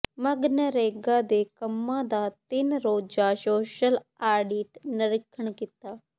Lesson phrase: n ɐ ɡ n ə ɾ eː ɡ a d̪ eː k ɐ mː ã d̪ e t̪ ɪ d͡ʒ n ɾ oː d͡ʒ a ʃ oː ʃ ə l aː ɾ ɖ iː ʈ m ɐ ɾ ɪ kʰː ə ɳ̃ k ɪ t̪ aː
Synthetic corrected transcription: m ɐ ɡ n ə ɾ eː ɡ a d̪ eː k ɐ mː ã d̪ a t̪ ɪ n ɾ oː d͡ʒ a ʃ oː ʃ ə l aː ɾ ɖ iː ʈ n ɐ ɾ ɪ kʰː ə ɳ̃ k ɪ t̪ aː